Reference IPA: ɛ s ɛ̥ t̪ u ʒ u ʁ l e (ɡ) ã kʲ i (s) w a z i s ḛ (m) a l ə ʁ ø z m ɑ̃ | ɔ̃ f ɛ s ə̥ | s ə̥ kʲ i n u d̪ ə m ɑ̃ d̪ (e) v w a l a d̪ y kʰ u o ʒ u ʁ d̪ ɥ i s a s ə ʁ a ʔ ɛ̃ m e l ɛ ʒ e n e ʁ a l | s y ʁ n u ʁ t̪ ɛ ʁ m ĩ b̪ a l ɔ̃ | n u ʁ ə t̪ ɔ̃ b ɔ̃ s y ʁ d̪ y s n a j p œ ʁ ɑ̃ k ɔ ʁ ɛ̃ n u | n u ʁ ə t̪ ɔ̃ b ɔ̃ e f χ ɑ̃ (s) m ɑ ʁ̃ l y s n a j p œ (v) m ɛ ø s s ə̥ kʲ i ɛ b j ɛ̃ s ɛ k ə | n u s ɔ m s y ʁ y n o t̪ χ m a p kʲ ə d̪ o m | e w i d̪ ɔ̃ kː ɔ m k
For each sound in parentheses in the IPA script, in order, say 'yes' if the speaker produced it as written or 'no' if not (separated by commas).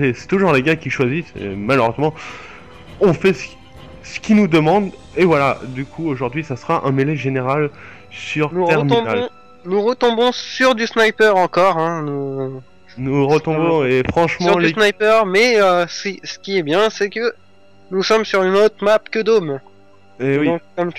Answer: yes, no, yes, yes, no, no